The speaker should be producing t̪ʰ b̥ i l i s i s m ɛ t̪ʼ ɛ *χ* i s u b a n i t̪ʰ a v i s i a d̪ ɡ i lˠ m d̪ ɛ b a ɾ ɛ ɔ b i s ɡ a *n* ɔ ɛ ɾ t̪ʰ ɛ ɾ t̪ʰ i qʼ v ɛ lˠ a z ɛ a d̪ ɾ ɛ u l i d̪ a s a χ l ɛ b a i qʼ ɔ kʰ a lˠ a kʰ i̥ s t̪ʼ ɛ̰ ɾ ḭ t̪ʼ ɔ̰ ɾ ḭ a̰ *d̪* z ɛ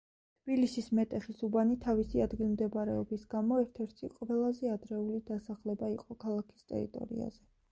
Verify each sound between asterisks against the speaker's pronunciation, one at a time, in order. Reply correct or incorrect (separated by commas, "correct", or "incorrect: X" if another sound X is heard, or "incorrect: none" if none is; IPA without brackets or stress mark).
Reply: correct, incorrect: m, incorrect: none